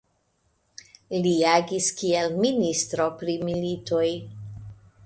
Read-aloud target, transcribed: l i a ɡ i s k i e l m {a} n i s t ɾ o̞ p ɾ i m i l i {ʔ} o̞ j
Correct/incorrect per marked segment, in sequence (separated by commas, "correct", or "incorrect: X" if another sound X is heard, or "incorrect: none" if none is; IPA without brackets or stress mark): incorrect: i, incorrect: t